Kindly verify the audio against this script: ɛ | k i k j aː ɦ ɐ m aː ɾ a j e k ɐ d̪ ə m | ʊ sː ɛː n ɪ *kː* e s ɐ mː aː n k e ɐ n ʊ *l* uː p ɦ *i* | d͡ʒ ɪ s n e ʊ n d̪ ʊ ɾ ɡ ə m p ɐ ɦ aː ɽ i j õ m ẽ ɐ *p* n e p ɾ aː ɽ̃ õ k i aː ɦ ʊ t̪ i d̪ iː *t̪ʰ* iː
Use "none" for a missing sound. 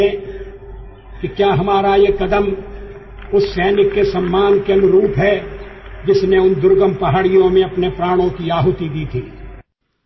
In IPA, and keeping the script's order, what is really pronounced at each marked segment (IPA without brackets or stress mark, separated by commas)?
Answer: kː, ɾ, ɛ, p, t̪ʰ